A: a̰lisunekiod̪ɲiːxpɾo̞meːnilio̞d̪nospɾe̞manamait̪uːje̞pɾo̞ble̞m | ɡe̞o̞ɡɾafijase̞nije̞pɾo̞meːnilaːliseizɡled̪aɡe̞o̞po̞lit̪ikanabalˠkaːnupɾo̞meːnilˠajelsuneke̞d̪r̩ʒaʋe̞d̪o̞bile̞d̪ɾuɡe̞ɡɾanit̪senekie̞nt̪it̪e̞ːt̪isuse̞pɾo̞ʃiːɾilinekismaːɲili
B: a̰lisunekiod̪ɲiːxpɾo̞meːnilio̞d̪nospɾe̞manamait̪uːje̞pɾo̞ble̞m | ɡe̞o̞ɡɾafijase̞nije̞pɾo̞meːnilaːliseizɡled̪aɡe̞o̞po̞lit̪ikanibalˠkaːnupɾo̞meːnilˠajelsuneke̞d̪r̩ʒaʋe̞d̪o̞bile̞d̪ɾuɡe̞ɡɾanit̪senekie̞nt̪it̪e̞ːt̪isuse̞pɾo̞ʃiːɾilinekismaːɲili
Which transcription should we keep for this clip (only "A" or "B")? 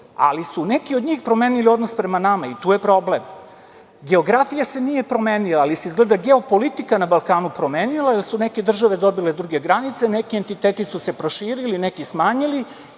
A